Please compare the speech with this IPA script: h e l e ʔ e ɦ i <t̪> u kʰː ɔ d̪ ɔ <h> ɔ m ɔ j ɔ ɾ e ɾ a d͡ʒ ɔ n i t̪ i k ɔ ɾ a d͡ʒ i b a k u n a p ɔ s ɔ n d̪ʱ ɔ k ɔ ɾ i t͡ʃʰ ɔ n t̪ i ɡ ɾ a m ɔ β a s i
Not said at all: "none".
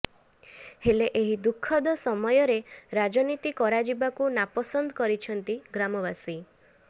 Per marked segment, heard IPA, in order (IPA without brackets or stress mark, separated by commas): d̪, s